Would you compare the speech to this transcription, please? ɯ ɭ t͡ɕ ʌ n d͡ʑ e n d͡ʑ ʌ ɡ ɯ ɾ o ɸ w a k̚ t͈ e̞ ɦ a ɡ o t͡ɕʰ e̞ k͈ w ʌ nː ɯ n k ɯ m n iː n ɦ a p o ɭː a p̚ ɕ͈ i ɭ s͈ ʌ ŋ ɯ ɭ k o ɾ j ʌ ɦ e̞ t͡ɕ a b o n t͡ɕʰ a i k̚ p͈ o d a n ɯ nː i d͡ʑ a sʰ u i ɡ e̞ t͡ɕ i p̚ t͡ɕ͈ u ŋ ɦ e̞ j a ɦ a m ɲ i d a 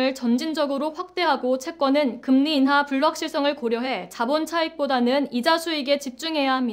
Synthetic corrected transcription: ɯ ɭ t͡ɕ ʌ n d͡ʑ i n d͡ʑ ʌ ɡ ɯ ɾ o ɸ w a k̚ t͈ e̞ ɦ a ɡ o t͡ɕʰ e̞ k͈ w ʌ n ɯ n k ɯ m n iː n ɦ a p u ɭː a k̚ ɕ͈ i ɭ s͈ ʌ ŋ ɯ ɭ k o ɾ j ʌ ɦ e̞ t͡ɕ a b o n t͡ɕʰ a i k̚ p͈ o d a n ɯ n i d͡ʑ a sʰ u i ɡ e̞ t͡ɕ i p̚ t͡ɕ͈ u ŋ ɦ e̞ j a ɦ a m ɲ i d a